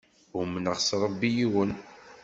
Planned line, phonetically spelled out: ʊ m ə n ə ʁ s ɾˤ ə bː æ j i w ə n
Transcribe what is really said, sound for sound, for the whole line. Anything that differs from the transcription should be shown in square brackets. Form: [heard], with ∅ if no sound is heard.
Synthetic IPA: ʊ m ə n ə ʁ s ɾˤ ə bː [i] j i w ə n